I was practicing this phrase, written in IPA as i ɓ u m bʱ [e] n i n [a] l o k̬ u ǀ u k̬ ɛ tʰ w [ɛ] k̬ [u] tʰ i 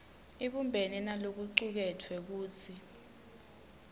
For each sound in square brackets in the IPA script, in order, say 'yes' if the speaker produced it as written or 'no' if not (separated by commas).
yes, yes, yes, no